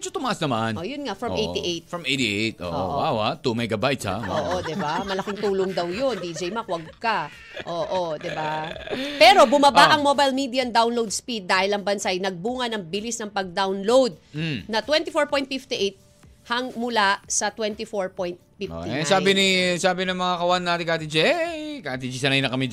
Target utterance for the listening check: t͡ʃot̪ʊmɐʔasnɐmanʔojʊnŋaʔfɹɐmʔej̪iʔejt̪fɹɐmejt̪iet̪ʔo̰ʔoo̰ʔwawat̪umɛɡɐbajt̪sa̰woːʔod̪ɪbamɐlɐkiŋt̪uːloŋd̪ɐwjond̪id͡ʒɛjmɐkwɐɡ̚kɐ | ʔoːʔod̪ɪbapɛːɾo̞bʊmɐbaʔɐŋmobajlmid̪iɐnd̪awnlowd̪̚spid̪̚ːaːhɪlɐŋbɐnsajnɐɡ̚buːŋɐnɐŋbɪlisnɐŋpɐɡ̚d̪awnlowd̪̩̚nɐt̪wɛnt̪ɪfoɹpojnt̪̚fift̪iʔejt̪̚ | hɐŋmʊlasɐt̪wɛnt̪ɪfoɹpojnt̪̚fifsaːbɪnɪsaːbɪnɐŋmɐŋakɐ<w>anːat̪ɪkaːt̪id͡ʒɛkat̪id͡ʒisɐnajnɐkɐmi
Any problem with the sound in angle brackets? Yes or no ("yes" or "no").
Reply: no